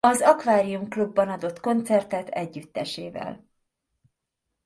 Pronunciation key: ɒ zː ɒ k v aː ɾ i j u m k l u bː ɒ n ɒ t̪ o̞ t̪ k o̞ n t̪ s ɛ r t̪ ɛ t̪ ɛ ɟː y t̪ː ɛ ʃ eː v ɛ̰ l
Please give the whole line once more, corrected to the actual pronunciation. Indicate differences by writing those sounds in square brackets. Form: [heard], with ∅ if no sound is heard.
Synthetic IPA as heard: ɒ [z] ɒ k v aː ɾ i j u m k l u bː ɒ n ɒ [d̪] o̞ t̪ k o̞ n t̪ s ɛ r t̪ ɛ t̪ ɛ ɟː y t̪ː ɛ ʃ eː v ɛ̰ l